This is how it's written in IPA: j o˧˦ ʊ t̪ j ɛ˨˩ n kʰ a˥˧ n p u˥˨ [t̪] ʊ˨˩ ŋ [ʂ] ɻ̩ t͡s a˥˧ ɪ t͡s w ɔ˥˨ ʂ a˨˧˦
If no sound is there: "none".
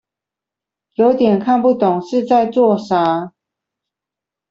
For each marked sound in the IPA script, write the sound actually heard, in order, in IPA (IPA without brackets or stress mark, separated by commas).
t̪, ʂ